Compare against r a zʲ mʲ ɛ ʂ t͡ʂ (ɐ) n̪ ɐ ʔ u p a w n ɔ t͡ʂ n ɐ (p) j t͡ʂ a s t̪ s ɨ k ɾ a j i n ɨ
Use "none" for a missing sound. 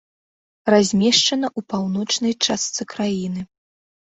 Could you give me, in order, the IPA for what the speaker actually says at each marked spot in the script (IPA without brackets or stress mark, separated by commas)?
ɐ, none